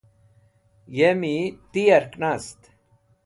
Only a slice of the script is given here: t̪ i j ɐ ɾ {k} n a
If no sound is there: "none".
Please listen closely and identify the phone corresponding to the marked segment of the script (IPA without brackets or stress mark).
k